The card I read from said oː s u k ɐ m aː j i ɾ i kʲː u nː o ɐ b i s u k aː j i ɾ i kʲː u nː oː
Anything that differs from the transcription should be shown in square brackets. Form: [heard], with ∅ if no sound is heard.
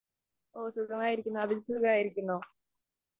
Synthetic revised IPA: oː s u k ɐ m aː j i ɾ i kʲː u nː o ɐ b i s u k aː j i ɾ i kʲː u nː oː